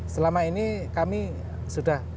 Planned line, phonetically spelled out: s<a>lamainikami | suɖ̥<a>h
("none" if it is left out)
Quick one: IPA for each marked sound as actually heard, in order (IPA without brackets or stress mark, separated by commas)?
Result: ə, a